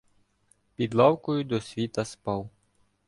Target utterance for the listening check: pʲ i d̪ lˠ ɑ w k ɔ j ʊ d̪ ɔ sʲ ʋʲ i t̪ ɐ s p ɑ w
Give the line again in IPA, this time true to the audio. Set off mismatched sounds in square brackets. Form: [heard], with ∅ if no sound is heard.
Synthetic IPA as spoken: pʲ i d̪ lˠ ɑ w k ɔ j ʊ d̪ ɔ sʲ ʋʲ i t̪ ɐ s p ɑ w